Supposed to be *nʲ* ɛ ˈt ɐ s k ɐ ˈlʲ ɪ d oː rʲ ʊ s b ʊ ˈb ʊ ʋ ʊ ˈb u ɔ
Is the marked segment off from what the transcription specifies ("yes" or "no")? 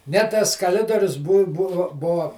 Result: no